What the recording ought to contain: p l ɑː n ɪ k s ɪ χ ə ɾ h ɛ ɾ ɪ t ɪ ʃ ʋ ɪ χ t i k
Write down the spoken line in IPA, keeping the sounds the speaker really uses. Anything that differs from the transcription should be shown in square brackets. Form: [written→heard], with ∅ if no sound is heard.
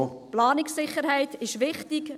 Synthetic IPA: p l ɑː n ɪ k s ɪ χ ə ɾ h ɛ [ɾ→∅] ɪ t ɪ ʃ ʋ ɪ χ t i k